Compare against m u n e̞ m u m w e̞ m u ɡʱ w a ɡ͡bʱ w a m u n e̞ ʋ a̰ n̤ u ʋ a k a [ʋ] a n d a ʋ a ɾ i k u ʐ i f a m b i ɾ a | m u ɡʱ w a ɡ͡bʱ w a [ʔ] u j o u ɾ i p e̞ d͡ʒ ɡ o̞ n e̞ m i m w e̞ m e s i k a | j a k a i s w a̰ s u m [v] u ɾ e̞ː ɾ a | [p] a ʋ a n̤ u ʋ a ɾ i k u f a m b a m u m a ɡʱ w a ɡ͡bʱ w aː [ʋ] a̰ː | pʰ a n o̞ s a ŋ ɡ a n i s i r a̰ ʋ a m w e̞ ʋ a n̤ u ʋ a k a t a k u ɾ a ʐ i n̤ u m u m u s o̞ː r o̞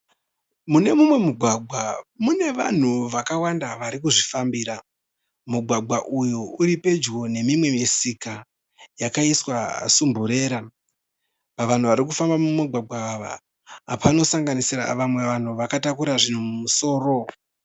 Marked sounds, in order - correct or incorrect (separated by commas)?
incorrect, correct, incorrect, correct, correct